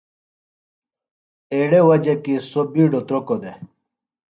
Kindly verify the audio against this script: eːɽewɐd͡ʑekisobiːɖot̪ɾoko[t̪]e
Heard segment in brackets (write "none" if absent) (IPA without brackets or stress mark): d̪